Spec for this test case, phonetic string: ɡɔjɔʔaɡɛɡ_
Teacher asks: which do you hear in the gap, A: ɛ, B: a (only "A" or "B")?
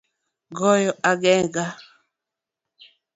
B